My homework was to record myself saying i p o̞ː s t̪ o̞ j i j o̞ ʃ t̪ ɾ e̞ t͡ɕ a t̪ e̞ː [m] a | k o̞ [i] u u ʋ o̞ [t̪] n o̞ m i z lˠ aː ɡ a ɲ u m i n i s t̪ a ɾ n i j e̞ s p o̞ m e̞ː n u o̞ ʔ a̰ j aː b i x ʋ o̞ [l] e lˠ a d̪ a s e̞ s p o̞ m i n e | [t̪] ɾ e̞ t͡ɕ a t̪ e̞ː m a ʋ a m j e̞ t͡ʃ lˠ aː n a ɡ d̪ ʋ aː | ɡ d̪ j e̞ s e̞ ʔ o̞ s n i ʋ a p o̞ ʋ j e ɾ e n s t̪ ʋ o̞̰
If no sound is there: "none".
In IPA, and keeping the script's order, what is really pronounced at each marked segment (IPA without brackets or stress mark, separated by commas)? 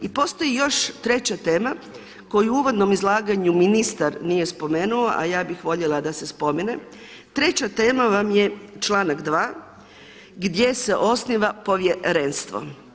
m, j, d̪, ʎ, t̪